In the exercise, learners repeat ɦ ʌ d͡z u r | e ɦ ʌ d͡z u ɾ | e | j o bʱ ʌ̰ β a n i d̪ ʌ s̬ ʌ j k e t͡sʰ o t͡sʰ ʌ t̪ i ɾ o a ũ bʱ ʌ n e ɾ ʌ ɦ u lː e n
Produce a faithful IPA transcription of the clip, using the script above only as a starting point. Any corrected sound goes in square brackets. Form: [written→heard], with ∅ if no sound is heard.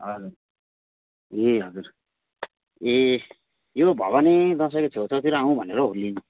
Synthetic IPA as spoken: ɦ ʌ d͡z u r | e ɦ ʌ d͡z u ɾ | e | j o bʱ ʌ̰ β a n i d̪ ʌ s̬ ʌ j k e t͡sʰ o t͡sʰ ʌ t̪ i ɾ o a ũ bʱ ʌ n e ɾ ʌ ɦ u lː [e→i] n